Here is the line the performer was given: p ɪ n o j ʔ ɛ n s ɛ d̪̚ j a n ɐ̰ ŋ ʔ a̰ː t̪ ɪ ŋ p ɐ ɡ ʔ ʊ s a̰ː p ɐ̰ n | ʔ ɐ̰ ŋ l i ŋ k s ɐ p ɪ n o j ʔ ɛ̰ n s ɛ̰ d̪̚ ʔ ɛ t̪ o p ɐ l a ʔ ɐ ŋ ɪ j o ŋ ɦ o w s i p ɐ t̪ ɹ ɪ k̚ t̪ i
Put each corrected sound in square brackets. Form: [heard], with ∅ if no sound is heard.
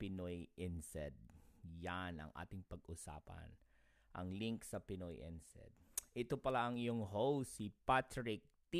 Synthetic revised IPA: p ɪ n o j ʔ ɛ n s ɛ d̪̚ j a n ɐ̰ ŋ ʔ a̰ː t̪ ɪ ŋ p ɐ ɡ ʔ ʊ s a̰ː p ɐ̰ n | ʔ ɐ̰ ŋ l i ŋ k s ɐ p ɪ n o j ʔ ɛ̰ n s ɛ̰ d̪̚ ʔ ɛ t̪ o p ɐ l a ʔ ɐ ŋ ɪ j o ŋ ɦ o w s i p [a] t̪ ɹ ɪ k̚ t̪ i